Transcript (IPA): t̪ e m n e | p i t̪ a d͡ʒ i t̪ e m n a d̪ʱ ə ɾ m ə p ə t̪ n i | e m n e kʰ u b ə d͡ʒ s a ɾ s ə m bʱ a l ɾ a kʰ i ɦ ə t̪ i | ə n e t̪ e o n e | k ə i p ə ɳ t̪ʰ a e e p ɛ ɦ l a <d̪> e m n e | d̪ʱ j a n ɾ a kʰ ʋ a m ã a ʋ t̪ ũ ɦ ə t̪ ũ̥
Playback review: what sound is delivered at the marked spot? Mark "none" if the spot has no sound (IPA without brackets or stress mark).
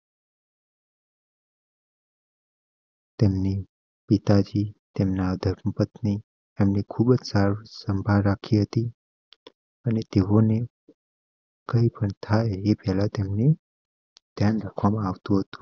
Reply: t̪